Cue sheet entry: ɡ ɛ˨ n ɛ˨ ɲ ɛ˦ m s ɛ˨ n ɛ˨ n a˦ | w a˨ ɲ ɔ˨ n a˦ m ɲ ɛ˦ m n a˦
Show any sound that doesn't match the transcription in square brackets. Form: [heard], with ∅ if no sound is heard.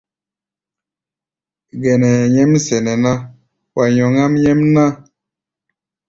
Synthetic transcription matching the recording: ɡ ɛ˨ n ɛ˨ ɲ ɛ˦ m s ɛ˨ n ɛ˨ n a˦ | w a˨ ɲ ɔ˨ [ŋ] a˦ m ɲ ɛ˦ m n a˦